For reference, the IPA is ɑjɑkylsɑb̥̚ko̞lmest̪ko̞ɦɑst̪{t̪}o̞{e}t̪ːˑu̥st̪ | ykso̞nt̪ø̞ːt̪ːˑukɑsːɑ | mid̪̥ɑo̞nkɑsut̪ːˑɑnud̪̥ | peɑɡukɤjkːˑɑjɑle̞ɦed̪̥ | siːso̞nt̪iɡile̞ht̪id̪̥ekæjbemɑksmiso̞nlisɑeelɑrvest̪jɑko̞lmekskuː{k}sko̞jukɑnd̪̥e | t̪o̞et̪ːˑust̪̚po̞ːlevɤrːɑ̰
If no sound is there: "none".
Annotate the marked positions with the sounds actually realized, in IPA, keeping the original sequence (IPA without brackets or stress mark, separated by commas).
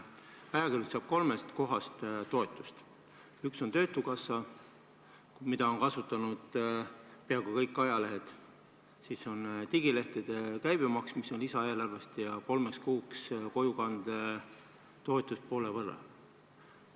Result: t̪, e, k